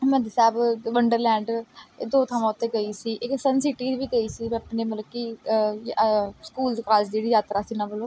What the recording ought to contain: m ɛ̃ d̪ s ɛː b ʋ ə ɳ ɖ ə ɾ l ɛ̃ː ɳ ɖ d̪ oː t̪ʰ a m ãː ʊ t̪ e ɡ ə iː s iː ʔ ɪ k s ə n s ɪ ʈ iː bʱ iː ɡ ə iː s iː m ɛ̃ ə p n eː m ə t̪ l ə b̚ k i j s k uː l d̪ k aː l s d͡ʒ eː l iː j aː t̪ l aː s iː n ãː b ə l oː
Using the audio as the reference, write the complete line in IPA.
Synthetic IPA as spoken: m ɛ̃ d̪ s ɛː b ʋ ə ɳ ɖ ə ɾ l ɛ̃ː ɳ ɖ d̪ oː t̪ʰ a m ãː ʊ t̪ e ɡ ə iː s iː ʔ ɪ k s ə n s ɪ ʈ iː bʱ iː ɡ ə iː s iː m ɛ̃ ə p n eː m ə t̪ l ə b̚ k i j s k uː l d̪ k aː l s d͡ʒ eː ɽ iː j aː t̪ ɾ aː s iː n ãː b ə l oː

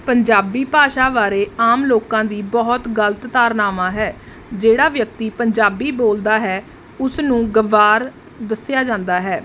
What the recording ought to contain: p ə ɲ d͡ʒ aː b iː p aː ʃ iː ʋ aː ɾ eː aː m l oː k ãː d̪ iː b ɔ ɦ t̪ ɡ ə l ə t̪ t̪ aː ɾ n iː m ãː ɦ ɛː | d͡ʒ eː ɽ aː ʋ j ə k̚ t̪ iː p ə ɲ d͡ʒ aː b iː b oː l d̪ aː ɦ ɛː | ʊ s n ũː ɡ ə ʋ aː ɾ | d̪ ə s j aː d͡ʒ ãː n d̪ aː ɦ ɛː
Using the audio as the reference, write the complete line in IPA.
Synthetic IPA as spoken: p ə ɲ d͡ʒ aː b iː p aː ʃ aː ʋ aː ɾ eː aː m l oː k ãː d̪ iː b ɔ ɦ t̪ ɡ ə l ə t̪ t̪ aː ɾ n aː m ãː ɦ ɛː | d͡ʒ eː ɽ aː ʋ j ə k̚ t̪ iː p ə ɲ d͡ʒ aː b iː b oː l d̪ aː ɦ ɛː | ʊ s n ũː ɡ ə ʋ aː ɾ | d̪ ə s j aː d͡ʒ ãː n d̪ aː ɦ ɛː

